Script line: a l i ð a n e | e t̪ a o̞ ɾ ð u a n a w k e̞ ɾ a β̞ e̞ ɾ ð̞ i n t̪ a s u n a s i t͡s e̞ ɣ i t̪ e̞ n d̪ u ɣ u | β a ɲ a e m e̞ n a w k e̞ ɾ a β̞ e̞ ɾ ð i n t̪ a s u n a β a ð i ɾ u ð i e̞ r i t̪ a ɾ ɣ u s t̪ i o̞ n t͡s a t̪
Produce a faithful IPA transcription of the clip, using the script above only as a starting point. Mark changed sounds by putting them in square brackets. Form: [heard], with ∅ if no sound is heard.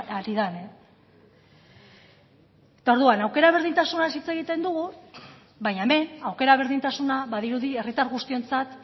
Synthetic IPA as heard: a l i ð a n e | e t̪ a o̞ ɾ ð u a n a w k e̞ ɾ a β̞ e̞ ɾ ð̞ i n t̪ a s u n a s i t͡s e̞ ɣ i t̪ e̞ n d̪ u ɣ u | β a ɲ a e m e̞ n a w k e̞ ɾ a β̞ e̞ ɾ ð i n t̪ a s u n a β a ð i ɾ u ð i e̞ r i t̪ a ɾ ɣ u s t̪ i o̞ n t͡s a t̪

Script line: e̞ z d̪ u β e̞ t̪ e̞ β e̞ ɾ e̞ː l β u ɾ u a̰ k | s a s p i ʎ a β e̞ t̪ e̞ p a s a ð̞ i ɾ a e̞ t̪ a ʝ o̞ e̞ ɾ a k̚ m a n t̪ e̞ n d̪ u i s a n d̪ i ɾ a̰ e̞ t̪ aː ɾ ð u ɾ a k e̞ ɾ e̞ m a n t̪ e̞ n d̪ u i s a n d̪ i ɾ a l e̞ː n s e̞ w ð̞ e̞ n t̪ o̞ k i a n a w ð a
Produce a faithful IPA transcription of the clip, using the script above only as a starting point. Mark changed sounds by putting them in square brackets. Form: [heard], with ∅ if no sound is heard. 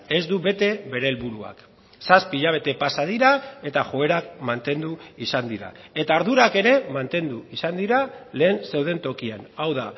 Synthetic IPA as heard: e̞ z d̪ u β e̞ t̪ e̞ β e̞ ɾ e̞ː l β u ɾ u a̰ k | s a s p i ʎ a β e̞ t̪ e̞ p a s a ð̞ i ɾ a e̞ t̪ a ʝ o̞ e̞ ɾ a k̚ m a n t̪ e̞ n d̪ u i s a n d̪ i ɾ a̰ e̞ t̪ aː ɾ ð u ɾ a k e̞ ɾ e̞ m a n t̪ e̞ n d̪ u i s a n d̪ i ɾ a l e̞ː n s e̞ w ð̞ e̞ n t̪ o̞ k i a n a w ð a

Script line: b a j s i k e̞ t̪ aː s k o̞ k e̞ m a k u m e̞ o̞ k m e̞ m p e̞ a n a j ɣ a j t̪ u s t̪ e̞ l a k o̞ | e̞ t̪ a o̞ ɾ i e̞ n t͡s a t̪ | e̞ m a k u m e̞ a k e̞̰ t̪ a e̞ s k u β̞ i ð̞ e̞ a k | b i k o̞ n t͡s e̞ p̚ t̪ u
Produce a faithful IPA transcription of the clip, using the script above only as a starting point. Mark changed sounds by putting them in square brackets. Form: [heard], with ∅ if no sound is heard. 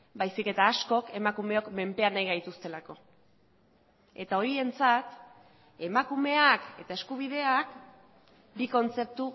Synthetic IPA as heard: b a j s i k e̞ t̪ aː s k o̞ k e̞ m a k u m e̞ o̞ k m e̞ m p e̞ a n a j ɣ a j t̪ u s t̪ e̞ l a k o̞ | e̞ t̪ a o̞ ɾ i e̞ n t͡s a t̪ | e̞ m a k u m e̞ a k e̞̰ t̪ a e̞ s k u β̞ i ð̞ e̞ a k | b i k o̞ n t͡s e̞ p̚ t̪ u

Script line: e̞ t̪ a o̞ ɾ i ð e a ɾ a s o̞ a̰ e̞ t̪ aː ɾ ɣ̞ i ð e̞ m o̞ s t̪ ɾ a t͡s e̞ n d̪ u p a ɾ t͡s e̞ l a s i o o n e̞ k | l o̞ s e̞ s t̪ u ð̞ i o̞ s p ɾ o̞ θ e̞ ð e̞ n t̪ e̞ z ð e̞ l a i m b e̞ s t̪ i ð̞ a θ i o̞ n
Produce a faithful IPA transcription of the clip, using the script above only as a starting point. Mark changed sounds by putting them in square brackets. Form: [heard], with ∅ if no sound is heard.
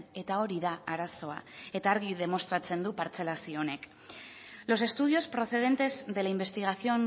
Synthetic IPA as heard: e̞ t̪ a o̞ ɾ i ð [a] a ɾ a s o̞ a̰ e̞ t̪ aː ɾ ɣ̞ i ð e̞ m o̞ s t̪ ɾ a t͡s e̞ n d̪ u p a ɾ t͡s e̞ l a s i o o n e̞ k | l o̞ s e̞ s t̪ u ð̞ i o̞ s p ɾ o̞ θ e̞ ð e̞ n t̪ e̞ z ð e̞ l a i m b e̞ s t̪ i [ɣ̞] a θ i o̞ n

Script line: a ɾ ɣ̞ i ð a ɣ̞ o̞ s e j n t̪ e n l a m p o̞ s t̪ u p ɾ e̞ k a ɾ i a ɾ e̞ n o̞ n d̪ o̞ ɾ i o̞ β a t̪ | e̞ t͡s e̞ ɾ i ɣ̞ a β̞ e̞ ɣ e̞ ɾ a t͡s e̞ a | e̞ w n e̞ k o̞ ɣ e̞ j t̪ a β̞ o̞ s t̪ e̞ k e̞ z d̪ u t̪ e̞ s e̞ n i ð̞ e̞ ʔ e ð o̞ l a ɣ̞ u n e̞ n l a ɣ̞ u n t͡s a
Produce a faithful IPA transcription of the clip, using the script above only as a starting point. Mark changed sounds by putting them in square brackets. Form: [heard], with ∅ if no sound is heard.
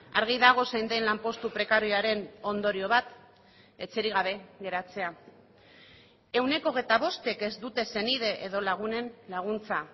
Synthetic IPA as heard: a ɾ ɣ̞ i ð a ɣ̞ o̞ s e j n [d̪] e n l a m p o̞ s t̪ u p ɾ e̞ k a ɾ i a ɾ e̞ n o̞ n d̪ o̞ ɾ i o̞ β a t̪ | e̞ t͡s e̞ ɾ i ɣ̞ a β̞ e̞ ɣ e̞ ɾ a t͡s e̞ a | e̞ w n e̞ k o̞ ɣ e̞ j t̪ a β̞ o̞ s t̪ e̞ k e̞ z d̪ u t̪ e̞ s e̞ n i ð̞ e̞ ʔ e ð o̞ l a ɣ̞ u n e̞ n l a ɣ̞ u n t͡s a

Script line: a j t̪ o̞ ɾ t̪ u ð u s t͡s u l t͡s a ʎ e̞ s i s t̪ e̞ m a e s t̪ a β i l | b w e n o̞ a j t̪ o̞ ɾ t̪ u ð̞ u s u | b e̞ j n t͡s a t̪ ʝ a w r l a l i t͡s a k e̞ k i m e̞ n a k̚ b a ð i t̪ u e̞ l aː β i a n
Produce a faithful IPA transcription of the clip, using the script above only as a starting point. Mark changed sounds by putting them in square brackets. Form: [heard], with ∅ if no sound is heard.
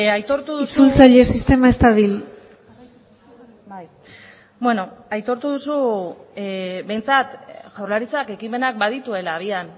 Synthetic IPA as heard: a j t̪ o̞ ɾ t̪ u ð u s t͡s u l t͡s a ʎ e̞ s i s t̪ e̞ m a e s t̪ a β i l | b w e n o̞ a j t̪ o̞ ɾ t̪ u ð̞ u s u | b e̞ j n t͡s a t̪ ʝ a w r l a [ɾ] i t͡s a k e̞ k i m e̞ n a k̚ b a ð i t̪ u e̞ l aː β i a n

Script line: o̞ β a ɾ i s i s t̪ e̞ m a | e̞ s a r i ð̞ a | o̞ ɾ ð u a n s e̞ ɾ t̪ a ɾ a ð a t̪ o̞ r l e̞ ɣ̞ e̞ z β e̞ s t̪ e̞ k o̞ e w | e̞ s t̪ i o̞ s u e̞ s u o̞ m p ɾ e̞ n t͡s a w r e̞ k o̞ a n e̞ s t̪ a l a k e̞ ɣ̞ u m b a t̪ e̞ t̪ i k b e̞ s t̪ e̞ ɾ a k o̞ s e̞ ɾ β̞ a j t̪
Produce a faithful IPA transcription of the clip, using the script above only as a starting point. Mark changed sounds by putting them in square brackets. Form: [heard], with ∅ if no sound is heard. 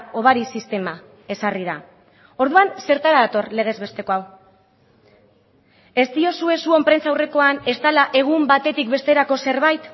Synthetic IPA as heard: o̞ β a ɾ i s i s t̪ e̞ m a | e̞ s a r i ð̞ a | o̞ ɾ ð u a n s e̞ ɾ t̪ a ɾ a ð a t̪ o̞ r l e̞ ɣ̞ e̞ z β e̞ s t̪ e̞ k o̞ [a] w | e̞ s t̪ i o̞ s u e̞ s u o̞ m p ɾ e̞ n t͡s a w r e̞ k o̞ a n e̞ s t̪ a l a [ʔ] e̞ ɣ̞ u m b a t̪ e̞ t̪ i k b e̞ s t̪ e̞ ɾ a k o̞ s e̞ ɾ β̞ a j t̪

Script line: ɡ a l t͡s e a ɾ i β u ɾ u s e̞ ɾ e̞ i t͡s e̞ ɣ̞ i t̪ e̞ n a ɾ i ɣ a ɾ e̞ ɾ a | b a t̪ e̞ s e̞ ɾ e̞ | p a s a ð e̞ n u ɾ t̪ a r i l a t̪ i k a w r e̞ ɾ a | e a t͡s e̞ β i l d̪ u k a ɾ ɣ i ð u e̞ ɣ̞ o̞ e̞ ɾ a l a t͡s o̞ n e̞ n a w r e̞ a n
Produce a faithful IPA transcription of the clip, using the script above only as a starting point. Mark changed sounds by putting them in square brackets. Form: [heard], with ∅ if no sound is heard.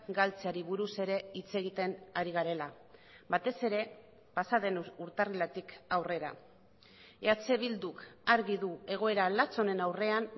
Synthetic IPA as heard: ɡ a l t͡s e a ɾ i β u ɾ u s e̞ ɾ e̞ i t͡s e̞ ɣ̞ i t̪ e̞ n a ɾ i ɣ a ɾ e̞ [l] a | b a t̪ e̞ s e̞ ɾ e̞ | p a s a ð e̞ n u ɾ t̪ a r i l a t̪ i k a w r e̞ ɾ a | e a t͡s e̞ β i l d̪ u k a ɾ ɣ i ð u e̞ ɣ̞ o̞ e̞ ɾ a l a t͡s o̞ n e̞ n a w r e̞ a n

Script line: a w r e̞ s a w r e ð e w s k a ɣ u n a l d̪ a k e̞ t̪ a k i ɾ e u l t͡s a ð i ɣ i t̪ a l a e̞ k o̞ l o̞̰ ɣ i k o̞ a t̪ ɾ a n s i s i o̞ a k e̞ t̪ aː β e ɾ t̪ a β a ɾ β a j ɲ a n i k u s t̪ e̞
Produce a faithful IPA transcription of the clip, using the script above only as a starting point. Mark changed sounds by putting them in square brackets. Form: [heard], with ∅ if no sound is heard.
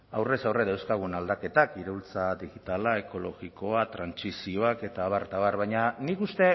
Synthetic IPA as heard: a w r e̞ s a w r e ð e w s k a ɣ u n a l d̪ a k e̞ t̪ a k i ɾ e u l t͡s a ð i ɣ i t̪ a l a e̞ k o̞ l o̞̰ ɣ i k o̞ a t̪ ɾ a n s i s i o̞ a k e̞ t̪ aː β [a] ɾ t̪ a β a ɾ β a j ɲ a n i k u s t̪ e̞

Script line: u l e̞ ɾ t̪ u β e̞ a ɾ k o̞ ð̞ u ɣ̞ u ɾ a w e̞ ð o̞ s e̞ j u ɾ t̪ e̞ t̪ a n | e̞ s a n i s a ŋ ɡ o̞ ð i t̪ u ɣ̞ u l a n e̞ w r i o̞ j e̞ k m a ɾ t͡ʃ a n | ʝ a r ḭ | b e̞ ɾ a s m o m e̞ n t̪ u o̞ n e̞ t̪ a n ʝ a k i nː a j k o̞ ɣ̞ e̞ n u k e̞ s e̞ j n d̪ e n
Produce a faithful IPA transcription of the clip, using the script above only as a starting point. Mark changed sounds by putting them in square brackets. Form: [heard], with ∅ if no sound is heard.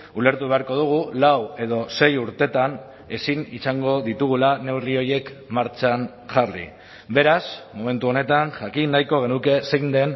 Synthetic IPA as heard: u l e̞ ɾ t̪ u β e̞ a ɾ k o̞ ð̞ u ɣ̞ u [l] a w e̞ ð o̞ s e̞ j u ɾ t̪ e̞ t̪ a n | e̞ s [i] n i s a ŋ ɡ o̞ ð i t̪ u ɣ̞ u l a n e̞ w r i o̞ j e̞ k m a ɾ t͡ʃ a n | ʝ a r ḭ | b e̞ ɾ a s m o m e̞ n t̪ u o̞ n e̞ t̪ a n ʝ a k i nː a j k o̞ ɣ̞ e̞ n u k e̞ s e̞ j n d̪ e n

